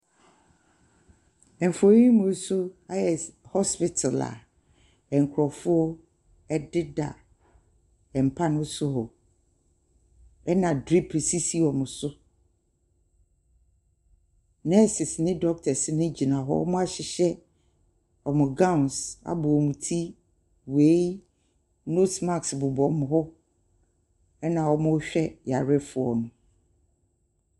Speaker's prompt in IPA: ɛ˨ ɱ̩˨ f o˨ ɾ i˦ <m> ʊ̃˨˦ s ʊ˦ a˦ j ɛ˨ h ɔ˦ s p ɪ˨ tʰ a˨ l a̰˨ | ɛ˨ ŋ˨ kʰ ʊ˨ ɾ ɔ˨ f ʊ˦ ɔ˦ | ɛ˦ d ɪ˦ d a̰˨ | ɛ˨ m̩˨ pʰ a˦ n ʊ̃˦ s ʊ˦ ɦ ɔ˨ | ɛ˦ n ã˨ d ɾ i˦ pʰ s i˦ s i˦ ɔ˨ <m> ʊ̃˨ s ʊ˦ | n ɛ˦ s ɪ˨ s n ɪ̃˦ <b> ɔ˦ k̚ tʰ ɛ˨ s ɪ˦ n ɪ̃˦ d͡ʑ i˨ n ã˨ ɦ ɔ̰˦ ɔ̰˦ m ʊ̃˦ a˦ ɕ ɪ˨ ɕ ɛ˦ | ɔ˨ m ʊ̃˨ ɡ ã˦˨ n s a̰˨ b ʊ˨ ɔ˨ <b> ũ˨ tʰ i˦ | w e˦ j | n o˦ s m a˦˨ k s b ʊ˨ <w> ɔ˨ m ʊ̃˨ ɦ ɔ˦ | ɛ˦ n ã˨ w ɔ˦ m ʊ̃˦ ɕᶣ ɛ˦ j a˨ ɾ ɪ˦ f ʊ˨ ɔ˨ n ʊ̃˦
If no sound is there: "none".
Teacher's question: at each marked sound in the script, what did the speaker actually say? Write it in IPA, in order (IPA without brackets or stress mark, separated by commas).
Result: m, m, d, m, b